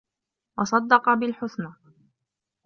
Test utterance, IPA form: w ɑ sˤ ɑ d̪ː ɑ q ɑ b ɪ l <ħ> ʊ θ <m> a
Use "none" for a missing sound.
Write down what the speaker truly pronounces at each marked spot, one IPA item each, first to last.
ħ, n

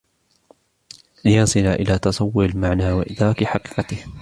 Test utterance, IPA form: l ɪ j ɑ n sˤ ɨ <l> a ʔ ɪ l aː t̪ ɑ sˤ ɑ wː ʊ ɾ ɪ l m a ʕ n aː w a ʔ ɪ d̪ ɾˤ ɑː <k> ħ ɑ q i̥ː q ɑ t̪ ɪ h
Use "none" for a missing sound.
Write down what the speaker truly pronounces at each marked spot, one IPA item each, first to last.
l, k

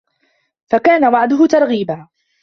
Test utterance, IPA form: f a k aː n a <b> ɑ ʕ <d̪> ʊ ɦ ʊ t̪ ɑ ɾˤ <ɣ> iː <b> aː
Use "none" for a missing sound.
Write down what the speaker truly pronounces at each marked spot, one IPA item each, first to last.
w, d̪, ɣ, b

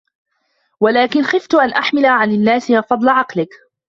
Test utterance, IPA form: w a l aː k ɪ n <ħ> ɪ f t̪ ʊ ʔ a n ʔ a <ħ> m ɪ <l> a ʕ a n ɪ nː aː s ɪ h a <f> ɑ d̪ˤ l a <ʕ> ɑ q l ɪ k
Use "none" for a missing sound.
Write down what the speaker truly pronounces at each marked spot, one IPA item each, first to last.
x, ħ, l, f, ʕ

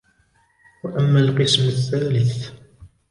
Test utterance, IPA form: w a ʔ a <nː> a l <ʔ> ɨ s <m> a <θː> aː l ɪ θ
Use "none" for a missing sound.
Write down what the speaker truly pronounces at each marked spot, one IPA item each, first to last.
mː, q, m, θː

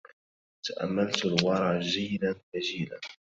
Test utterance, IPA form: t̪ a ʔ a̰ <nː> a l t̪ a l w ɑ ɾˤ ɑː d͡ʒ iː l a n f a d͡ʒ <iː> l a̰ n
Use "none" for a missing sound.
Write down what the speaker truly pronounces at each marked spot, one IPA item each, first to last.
mː, iː

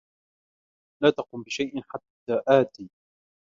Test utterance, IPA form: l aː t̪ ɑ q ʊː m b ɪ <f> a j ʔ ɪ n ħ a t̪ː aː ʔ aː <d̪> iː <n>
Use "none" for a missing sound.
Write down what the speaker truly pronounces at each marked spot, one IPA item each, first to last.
ʃ, t̪, none

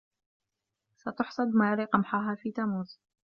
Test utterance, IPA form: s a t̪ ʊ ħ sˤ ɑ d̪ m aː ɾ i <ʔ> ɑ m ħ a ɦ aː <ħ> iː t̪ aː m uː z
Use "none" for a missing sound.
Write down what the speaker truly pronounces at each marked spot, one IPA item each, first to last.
q, f

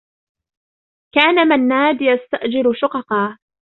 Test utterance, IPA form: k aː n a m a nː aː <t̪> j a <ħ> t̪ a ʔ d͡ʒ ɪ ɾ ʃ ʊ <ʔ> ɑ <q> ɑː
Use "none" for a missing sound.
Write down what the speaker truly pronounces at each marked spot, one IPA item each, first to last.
d̪, s, q, q

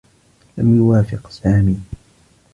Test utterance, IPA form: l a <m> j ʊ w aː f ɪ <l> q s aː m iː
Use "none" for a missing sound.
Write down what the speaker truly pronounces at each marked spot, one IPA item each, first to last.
m, none

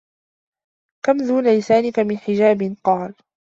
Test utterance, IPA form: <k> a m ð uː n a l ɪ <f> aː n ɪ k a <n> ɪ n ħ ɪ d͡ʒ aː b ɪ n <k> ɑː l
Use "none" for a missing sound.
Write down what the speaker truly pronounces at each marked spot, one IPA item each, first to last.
k, s, m, q

